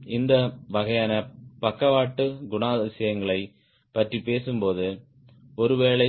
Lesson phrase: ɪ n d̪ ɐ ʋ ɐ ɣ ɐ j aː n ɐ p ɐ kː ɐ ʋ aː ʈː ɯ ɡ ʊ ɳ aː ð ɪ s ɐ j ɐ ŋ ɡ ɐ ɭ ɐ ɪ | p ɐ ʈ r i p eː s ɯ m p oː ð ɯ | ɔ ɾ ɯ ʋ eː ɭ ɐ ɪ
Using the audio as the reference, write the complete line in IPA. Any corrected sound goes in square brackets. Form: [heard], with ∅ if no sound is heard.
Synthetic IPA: ɪ n d̪ ɐ ʋ ɐ ɣ ɐ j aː n ɐ p ɐ kː ɐ ʋ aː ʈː ɯ ɡ ʊ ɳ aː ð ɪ s ɐ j ɐ ŋ ɡ ɐ ɭ ɐ ɪ | p ɐ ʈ r i p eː s ɯ m p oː ð ɯ | ɔ ɾ ɯ ʋ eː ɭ ɐ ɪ

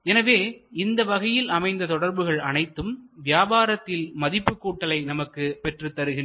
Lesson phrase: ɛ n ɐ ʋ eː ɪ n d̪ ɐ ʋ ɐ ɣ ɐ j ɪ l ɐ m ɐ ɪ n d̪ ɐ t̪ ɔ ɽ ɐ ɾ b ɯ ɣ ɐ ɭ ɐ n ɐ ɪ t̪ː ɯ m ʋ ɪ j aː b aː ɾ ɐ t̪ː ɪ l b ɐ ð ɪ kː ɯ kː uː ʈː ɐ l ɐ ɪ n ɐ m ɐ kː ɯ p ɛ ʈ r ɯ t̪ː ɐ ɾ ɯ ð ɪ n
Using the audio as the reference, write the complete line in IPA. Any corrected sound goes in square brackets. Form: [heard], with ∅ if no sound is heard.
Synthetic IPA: ɛ n ɐ ʋ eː ɪ n d̪ ɐ ʋ ɐ ɣ ɐ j ɪ l ɐ m ɐ ɪ n d̪ ɐ t̪ ɔ ɽ ɐ ɾ b ɯ ɣ ɐ ɭ ɐ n ɐ ɪ t̪ː ɯ m ʋ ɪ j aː b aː ɾ ɐ t̪ː ɪ l [m] ɐ ð ɪ [pː] ɯ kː uː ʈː ɐ l ɐ ɪ n ɐ m ɐ kː ɯ p ɛ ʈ r ɯ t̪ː ɐ ɾ ɯ [ɣ] ɪ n

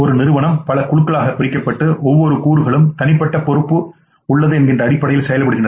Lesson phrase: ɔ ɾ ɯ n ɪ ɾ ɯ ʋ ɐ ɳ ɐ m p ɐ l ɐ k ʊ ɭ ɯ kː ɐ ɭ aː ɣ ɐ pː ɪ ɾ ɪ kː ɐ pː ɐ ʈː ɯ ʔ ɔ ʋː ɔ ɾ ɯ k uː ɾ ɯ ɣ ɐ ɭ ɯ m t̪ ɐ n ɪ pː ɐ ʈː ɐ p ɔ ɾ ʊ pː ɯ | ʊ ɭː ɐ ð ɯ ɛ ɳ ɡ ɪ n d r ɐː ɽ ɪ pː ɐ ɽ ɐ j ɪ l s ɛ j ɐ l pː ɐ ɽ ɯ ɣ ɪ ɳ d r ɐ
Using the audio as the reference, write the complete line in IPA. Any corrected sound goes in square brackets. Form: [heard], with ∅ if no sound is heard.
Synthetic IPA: ɔ ɾ ɯ n ɪ ɾ ɯ ʋ ɐ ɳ ɐ m p ɐ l ɐ k ʊ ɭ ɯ kː ɐ ɭ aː ɣ ɐ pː ɪ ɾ ɪ kː ɐ pː ɐ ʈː ɯ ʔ ɔ ʋː ɔ ɾ ɯ k uː ɾ ɯ ɣ ɐ ɭ ɯ m t̪ ɐ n ɪ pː ɐ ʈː ɐ p ɔ ɾ [ɯ] pː ɯ | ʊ ɭː ɐ ð ɯ ɛ [n] ɡ ɪ n d r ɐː ɽ ɪ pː ɐ ɽ ɐ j ɪ l s ɛ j ɐ l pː ɐ ɽ ɯ ɣ ɪ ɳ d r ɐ

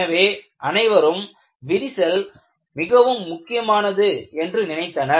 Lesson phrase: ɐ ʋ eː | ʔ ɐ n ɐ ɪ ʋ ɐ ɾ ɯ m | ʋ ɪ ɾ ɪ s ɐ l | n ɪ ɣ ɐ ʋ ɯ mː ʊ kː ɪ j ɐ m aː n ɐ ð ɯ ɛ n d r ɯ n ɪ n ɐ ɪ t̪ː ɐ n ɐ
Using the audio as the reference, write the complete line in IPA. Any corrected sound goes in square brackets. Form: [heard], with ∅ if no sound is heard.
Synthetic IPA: ɐ ʋ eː | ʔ ɐ n ɐ ɪ ʋ ɐ ɾ ɯ m | ʋ ɪ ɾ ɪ s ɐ l | [m] ɪ ɣ ɐ ʋ ɯ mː ʊ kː ɪ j ɐ m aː n ɐ ð ɯ ɛ n d r ɯ n ɪ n ɐ ɪ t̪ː ɐ n ɐ

